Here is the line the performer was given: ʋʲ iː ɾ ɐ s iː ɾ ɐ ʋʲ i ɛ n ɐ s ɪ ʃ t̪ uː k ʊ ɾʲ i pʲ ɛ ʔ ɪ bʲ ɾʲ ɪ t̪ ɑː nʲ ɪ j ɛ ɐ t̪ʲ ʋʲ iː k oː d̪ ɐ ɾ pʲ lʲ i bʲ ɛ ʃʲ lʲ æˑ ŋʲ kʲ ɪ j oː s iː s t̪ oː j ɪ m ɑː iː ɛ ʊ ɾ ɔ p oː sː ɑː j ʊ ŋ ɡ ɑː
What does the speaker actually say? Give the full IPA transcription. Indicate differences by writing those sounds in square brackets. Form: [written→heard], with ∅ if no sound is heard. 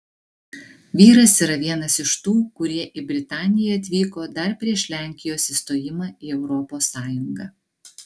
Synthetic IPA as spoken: ʋʲ iː ɾ ɐ s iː ɾ ɐ ʋʲ i ɛ n ɐ s ɪ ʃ t̪ uː k ʊ ɾʲ i [pʲ→∅] ɛ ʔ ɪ bʲ ɾʲ ɪ t̪ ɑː nʲ ɪ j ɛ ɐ t̪ʲ ʋʲ iː k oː d̪ ɐ ɾ pʲ [lʲ→ɾʲ] i [bʲ→∅] ɛ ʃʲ lʲ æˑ ŋʲ kʲ ɪ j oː s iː s t̪ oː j ɪ m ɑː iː ɛ ʊ ɾ ɔ p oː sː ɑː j ʊ ŋ ɡ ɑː